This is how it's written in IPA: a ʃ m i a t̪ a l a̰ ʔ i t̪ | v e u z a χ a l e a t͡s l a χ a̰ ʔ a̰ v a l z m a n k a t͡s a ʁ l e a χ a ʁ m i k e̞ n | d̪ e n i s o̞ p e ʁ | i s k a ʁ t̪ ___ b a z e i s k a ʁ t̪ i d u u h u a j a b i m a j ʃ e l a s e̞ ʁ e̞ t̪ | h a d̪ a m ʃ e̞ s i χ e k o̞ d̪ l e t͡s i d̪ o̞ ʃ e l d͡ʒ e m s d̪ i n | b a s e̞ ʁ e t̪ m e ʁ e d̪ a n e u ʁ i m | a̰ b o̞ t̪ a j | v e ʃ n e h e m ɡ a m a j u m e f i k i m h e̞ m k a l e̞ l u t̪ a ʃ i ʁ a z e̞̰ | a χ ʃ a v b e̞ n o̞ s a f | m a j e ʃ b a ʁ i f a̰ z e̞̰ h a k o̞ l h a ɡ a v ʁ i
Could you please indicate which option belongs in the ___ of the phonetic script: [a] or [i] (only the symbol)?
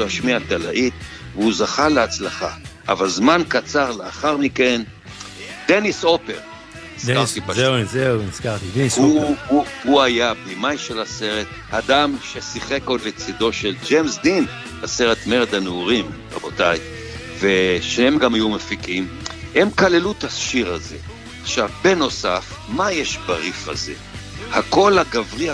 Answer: i